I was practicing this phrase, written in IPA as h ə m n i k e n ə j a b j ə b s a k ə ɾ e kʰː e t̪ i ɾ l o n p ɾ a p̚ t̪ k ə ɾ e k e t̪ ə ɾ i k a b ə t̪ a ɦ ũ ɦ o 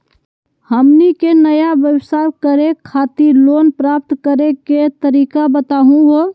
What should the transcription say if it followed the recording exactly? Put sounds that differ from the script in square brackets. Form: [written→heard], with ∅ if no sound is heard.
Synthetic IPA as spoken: h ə m n i k e n ə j a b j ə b s a k ə ɾ e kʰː [e→a] t̪ i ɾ l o n p ɾ a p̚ t̪ k ə ɾ e k e t̪ ə ɾ i k a b ə t̪ a ɦ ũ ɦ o